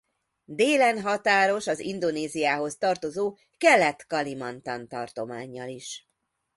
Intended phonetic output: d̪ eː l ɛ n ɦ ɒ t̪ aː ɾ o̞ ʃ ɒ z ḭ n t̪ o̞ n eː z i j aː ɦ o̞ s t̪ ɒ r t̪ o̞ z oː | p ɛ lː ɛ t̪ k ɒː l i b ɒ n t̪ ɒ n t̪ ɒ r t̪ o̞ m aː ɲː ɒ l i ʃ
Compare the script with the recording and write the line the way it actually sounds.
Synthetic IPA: d̪ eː l ɛ n ɦ ɒ t̪ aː ɾ o̞ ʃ ɒ z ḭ n d̪ o̞ n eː z i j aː ɦ o̞ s t̪ ɒ r t̪ o̞ z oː | k ɛ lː ɛ t̪ k ɒ l i m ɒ n t̪ ɒ n t̪ ɒ r t̪ o̞ m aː ɲː ɒ l i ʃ